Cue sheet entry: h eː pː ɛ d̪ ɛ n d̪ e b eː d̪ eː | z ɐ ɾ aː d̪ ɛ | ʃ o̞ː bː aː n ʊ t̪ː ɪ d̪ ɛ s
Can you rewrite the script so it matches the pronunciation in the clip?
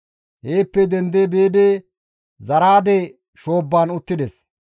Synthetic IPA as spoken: h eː pː ɛ d̪ ɛ n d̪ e b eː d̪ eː | z ɐ ɾ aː d̪ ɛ | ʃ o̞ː bː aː n ʊ t̪ː ɪ d̪ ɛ s